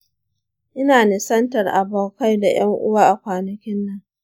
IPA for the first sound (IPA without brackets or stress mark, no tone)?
ʔ